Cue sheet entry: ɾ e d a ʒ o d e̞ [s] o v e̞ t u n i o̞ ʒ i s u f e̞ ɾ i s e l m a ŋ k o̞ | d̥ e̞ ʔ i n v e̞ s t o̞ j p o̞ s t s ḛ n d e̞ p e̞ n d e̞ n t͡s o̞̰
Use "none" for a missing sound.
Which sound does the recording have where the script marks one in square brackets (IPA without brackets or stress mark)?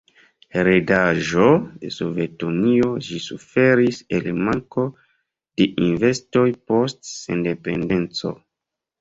s